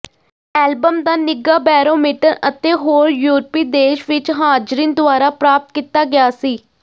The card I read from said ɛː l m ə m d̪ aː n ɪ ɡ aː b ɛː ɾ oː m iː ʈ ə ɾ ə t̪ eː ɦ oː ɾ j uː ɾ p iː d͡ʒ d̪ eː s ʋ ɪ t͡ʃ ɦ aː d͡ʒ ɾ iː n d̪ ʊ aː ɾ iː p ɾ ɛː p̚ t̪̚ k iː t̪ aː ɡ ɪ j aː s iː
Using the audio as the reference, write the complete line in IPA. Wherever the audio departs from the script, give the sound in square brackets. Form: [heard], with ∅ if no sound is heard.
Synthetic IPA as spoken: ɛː l [b] ə m d̪ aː n ɪ ɡ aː b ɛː ɾ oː m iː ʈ ə ɾ ə t̪ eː ɦ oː ɾ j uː ɾ p iː [∅] d̪ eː [ʃ] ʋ ɪ t͡ʃ ɦ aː d͡ʒ ɾ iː n d̪ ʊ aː ɾ [aː] p ɾ [aː] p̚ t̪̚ k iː t̪ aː ɡ ɪ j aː s iː